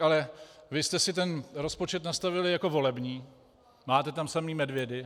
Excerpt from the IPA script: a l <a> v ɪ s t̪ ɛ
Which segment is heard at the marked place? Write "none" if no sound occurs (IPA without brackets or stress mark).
ɛ